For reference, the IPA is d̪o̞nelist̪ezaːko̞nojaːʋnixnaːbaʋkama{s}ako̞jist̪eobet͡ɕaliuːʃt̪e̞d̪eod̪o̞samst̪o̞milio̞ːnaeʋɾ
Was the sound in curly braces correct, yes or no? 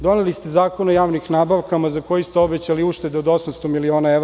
no